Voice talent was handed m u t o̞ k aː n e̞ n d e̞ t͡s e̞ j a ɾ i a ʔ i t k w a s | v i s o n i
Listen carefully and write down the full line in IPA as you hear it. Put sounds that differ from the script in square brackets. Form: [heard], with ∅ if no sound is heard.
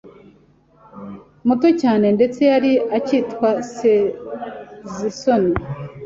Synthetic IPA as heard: m u t o̞ [c] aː n e̞ n d e̞ t͡s e̞ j a ɾ i a [c] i t k w a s | [z] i s o n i